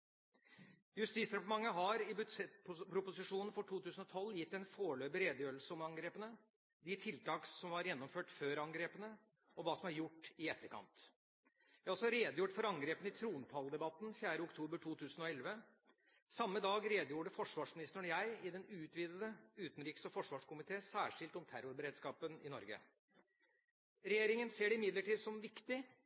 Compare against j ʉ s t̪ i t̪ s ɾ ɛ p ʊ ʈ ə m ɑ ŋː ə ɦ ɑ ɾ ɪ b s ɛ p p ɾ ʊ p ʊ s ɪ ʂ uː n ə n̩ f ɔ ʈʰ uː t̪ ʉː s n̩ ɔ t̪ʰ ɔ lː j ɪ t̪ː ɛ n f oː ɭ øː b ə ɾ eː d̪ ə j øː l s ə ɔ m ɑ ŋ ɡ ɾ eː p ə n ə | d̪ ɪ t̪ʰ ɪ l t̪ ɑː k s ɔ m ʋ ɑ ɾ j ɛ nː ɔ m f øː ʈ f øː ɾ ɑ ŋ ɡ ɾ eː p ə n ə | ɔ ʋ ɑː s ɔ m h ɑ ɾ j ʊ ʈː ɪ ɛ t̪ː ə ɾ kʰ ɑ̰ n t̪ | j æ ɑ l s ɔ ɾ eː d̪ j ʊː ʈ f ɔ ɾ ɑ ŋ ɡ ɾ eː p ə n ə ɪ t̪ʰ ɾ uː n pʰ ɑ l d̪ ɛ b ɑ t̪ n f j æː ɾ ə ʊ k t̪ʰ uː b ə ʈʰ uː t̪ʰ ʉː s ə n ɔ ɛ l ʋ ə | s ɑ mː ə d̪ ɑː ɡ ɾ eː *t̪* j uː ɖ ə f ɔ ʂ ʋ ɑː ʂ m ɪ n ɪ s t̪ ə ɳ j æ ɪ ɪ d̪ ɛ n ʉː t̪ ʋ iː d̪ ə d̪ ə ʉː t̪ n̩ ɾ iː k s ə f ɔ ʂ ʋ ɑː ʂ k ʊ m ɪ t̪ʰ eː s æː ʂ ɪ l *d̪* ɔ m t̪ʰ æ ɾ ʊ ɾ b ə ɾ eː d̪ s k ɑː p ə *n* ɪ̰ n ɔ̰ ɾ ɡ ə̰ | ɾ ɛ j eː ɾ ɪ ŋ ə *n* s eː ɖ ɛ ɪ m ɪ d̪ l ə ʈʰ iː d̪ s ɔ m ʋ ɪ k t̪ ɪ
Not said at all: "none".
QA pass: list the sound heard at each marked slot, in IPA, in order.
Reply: d̪, t̪, n, n

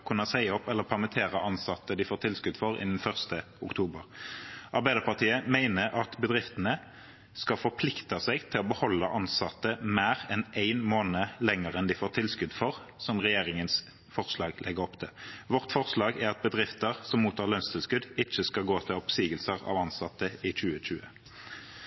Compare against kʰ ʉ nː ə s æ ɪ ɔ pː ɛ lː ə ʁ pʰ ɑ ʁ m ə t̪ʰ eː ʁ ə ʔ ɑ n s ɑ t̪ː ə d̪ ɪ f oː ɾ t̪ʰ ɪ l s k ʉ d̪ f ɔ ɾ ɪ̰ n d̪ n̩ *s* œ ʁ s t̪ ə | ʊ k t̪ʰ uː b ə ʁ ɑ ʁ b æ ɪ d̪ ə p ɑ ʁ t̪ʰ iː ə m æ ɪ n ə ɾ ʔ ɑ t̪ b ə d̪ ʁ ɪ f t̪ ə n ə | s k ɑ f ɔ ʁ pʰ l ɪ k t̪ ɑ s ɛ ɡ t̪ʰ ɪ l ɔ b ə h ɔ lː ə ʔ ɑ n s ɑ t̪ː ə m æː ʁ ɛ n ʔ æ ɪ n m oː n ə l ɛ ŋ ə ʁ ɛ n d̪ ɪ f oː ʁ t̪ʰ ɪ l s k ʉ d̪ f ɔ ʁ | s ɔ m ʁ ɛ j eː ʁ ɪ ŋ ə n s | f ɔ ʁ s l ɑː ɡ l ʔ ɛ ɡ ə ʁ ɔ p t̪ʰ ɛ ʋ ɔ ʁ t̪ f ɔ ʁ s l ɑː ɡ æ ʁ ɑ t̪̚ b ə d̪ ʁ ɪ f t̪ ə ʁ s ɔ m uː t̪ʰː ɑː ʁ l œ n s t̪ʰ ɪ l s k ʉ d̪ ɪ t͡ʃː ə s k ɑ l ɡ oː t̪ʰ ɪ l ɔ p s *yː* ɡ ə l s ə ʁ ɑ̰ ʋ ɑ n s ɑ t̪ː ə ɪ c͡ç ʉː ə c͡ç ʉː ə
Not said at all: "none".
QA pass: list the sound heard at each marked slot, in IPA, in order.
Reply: f, iː

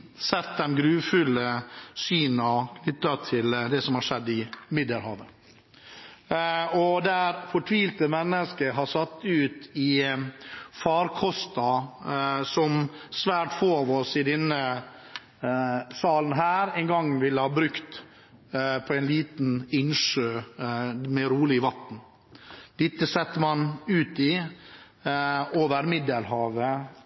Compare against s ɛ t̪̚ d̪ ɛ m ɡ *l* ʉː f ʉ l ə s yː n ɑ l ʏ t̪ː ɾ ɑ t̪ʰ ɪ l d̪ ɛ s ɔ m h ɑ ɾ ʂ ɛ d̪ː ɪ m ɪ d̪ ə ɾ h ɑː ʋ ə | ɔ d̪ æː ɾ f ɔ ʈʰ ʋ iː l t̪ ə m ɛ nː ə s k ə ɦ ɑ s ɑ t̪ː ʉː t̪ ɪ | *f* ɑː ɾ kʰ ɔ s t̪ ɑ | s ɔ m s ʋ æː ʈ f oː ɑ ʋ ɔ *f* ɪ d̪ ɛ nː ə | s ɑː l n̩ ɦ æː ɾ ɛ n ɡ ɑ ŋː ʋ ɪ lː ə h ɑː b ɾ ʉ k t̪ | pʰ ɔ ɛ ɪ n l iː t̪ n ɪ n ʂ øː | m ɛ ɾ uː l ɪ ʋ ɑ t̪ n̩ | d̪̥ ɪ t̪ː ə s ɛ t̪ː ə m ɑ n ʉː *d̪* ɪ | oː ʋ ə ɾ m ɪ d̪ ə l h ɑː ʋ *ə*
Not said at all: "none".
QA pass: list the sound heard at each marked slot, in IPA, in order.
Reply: ɾ, f, s, t̪, ə

